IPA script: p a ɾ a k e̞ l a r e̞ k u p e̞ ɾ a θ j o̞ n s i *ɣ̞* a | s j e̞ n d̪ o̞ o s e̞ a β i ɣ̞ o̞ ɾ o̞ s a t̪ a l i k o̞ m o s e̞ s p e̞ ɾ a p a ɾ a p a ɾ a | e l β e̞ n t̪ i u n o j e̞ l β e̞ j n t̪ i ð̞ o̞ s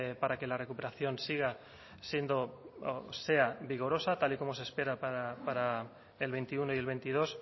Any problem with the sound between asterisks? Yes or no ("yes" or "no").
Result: no